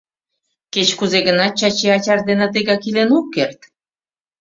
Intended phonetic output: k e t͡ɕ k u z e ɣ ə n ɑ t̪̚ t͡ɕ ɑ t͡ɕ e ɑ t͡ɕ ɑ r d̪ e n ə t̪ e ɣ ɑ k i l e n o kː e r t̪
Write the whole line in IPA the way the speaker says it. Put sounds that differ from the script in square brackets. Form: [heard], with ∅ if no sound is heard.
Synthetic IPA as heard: k e t͡ɕ k u z e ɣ ə n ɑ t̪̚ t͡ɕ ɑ t͡ɕ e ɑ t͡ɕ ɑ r d̪ e n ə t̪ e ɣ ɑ k i l e n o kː e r t̪